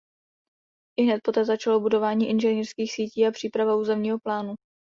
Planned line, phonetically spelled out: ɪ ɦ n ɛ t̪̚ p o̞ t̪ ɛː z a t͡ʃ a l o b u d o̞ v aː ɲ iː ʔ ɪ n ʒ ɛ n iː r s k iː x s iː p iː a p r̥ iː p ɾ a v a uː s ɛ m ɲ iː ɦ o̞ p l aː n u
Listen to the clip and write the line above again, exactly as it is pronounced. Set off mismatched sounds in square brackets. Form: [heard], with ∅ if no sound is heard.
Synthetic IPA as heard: ɪ ɦ n ɛ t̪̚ p o̞ t̪ ɛː z a t͡ʃ a l o b u d o̞ v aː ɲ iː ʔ ɪ n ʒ ɛ n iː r s k iː x s iː [c] iː a p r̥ iː p ɾ a v a uː [z] ɛ m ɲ iː ɦ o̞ p l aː n u